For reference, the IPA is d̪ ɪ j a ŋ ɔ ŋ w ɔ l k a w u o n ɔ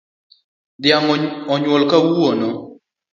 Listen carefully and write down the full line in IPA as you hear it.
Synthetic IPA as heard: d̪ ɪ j a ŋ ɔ ɲ w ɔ l k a w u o n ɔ